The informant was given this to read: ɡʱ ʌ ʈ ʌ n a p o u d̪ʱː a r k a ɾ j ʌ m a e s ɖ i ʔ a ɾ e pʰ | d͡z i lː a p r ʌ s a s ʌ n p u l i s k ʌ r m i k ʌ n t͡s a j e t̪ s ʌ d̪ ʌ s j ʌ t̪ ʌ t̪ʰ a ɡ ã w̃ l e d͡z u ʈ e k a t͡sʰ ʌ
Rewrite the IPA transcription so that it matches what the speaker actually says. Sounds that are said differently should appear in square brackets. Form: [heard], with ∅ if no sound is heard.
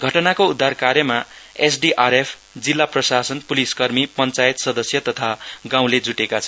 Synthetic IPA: ɡʱ ʌ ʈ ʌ n a [k] o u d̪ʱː a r k a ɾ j ʌ m a e s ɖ i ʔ a ɾ e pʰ | d͡z i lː a p r ʌ s a s ʌ n p u l i s k ʌ r m i [p] ʌ n t͡s a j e t̪ s ʌ d̪ ʌ s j ʌ t̪ ʌ t̪ʰ a ɡ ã w̃ l e d͡z u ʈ e k a t͡sʰ ʌ